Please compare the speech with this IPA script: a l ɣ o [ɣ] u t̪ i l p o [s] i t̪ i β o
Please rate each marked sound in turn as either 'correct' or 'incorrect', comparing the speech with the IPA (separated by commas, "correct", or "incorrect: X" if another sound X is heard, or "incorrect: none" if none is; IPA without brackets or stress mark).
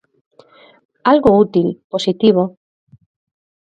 incorrect: none, correct